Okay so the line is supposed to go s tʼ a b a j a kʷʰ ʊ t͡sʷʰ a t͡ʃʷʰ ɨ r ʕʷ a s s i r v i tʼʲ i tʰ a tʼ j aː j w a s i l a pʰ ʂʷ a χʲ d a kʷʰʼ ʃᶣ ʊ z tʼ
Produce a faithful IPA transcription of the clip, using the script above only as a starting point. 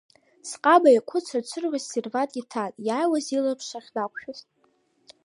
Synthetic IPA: s qʼ a b a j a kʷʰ ʊ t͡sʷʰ a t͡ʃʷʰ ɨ r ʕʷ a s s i r v a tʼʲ i tʰ a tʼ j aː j w a z i l a pʰ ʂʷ a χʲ d a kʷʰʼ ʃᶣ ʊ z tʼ